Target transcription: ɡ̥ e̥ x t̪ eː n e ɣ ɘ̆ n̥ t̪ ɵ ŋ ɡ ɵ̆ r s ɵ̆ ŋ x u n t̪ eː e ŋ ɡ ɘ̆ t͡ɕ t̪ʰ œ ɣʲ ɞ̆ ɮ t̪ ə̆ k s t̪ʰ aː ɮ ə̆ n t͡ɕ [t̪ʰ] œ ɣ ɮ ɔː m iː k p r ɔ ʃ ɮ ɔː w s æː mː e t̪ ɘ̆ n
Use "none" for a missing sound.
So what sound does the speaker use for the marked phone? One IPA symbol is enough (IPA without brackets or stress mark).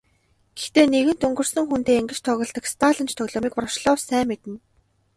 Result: t̪ʰ